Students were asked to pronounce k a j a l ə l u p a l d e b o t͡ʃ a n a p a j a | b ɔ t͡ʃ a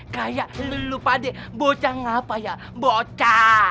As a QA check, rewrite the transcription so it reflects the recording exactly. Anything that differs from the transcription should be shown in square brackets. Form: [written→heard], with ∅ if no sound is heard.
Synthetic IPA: k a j a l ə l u p a [l→∅] d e b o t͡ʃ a [n→ŋ] a p a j a | b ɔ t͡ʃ a